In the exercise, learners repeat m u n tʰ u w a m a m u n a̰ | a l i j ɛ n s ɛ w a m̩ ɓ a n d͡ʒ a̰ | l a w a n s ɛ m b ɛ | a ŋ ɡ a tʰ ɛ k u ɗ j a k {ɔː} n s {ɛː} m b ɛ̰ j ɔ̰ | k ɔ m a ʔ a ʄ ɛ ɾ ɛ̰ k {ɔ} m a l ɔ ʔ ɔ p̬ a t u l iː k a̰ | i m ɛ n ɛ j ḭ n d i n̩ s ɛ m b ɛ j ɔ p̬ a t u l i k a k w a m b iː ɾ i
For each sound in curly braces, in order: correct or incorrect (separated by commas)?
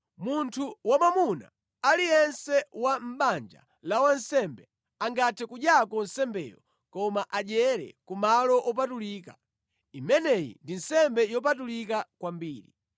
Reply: incorrect, incorrect, incorrect